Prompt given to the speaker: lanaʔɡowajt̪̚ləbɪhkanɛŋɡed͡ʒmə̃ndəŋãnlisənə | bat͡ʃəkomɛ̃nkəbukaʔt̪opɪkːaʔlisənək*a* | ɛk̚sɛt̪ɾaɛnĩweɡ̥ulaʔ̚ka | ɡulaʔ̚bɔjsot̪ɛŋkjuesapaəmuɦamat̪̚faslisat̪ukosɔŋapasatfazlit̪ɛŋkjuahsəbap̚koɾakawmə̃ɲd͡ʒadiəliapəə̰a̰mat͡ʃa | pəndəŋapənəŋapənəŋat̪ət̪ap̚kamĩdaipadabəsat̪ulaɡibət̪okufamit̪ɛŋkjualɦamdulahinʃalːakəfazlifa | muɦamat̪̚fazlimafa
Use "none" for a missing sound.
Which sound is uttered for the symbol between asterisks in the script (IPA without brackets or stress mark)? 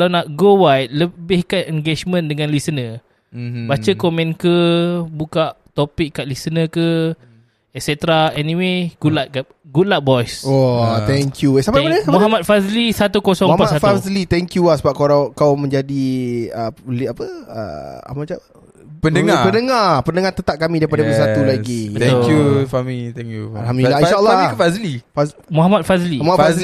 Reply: ə